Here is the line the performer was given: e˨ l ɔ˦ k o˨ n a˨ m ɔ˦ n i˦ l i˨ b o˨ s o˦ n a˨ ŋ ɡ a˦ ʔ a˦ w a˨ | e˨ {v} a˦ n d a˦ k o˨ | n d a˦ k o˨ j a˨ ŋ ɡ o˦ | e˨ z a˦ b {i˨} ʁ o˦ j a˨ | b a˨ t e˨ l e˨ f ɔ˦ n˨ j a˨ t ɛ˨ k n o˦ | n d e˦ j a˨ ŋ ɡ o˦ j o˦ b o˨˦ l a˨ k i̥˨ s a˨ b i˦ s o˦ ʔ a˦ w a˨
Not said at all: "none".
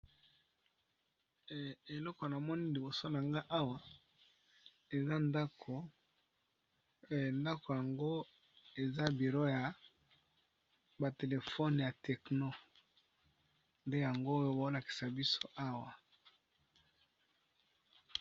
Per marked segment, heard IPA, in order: z, i˨

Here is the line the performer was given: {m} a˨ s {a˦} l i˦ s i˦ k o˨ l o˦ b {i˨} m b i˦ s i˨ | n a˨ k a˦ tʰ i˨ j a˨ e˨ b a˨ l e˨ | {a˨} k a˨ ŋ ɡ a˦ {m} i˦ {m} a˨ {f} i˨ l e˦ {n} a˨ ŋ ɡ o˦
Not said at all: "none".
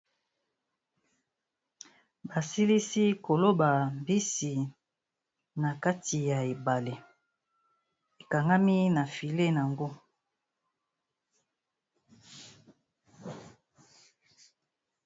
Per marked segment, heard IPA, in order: b, i˦, a˨, e˨, m, n, f, n

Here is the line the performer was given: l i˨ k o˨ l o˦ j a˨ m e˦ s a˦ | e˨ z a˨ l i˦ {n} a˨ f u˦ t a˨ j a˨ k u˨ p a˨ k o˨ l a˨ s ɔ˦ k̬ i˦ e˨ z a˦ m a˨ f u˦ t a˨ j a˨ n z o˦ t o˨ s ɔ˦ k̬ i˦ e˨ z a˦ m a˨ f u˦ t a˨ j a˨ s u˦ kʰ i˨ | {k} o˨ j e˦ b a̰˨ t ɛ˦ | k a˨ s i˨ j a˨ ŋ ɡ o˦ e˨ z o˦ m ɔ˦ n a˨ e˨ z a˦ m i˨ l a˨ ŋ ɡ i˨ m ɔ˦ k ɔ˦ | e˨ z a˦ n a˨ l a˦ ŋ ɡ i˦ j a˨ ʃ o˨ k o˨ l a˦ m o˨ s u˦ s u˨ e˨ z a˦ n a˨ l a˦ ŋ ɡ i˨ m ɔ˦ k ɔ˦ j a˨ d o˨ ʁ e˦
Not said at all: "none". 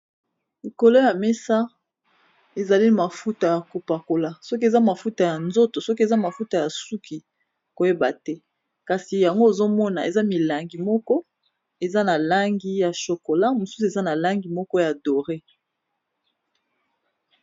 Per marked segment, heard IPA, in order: m, k

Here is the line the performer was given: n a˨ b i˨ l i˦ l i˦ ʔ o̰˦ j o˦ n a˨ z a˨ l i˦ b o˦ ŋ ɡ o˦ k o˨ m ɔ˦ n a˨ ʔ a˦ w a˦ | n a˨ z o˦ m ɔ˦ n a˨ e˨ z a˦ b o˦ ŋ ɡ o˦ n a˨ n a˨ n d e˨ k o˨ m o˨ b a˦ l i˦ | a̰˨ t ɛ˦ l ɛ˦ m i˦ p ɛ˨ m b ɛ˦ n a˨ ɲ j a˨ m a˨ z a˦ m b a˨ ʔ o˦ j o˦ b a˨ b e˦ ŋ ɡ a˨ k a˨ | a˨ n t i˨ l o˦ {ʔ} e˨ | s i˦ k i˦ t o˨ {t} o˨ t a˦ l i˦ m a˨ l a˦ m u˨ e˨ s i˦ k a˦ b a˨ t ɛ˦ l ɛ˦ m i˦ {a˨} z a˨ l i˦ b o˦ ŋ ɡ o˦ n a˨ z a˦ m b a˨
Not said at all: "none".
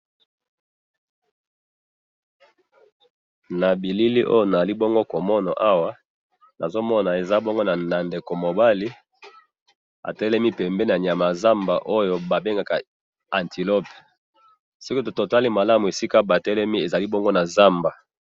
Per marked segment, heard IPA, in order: p, t, e˨

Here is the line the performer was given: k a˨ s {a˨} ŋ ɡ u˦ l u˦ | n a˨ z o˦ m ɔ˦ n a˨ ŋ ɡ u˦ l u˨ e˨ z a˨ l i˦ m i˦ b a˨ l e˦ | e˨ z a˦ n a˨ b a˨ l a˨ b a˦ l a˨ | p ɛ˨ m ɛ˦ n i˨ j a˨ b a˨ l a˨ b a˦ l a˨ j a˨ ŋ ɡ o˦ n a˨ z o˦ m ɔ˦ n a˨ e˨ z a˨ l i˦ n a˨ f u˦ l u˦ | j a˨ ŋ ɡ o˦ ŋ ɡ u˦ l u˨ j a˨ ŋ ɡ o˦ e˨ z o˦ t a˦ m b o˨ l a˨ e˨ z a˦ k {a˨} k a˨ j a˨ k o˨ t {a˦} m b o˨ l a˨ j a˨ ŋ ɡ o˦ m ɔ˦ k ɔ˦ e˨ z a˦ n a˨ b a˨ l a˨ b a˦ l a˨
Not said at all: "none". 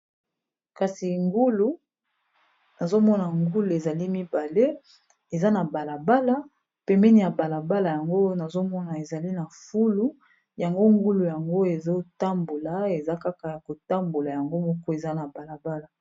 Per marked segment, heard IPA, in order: i˨, a˦, a˦

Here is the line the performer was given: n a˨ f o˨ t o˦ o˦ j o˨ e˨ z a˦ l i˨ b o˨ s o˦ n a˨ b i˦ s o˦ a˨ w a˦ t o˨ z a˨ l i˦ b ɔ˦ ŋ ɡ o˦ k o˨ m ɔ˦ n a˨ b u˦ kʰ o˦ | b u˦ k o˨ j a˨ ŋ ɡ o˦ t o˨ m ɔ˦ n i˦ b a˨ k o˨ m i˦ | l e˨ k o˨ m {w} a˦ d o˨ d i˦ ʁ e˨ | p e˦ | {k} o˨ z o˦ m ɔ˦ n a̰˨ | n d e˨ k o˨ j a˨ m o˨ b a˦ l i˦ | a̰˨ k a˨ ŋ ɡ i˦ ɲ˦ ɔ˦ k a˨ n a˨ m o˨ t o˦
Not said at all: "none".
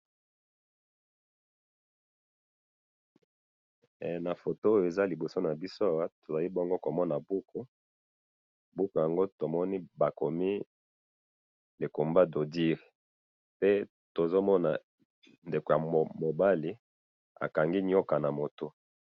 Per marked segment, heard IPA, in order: b, t

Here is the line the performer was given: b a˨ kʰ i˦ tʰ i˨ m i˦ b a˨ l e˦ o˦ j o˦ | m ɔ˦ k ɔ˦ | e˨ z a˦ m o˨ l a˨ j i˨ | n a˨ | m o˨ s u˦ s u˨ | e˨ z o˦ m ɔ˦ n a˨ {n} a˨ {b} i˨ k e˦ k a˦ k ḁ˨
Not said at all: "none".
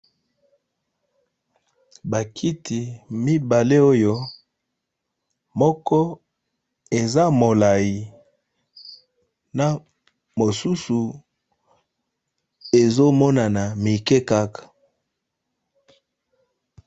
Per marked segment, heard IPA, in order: n, m

